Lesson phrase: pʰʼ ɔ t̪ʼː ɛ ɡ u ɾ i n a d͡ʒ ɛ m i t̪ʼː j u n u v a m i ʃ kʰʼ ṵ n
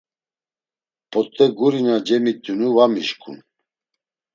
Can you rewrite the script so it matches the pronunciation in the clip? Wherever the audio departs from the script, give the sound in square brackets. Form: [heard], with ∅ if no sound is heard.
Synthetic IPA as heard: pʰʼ ɔ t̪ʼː ɛ ɡ u ɾ i n a d͡ʒ ɛ m i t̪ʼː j u n u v a m i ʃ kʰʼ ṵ n